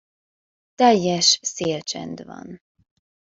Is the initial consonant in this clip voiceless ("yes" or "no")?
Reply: yes